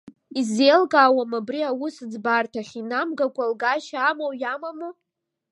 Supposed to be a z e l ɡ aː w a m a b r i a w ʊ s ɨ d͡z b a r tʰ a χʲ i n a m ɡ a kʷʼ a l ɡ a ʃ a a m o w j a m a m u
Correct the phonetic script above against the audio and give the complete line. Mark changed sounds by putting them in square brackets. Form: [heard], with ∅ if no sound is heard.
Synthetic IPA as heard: [i] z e l ɡ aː w a m a b r i a w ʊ s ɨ d͡z b a r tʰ a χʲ i n a m ɡ a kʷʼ a l ɡ a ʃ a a m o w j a m a m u